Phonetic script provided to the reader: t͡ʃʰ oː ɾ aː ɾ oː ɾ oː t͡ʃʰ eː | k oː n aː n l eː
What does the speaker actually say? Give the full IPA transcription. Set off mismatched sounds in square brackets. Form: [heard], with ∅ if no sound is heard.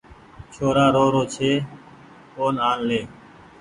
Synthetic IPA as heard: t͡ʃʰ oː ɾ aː ɾ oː ɾ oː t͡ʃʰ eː | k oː n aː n l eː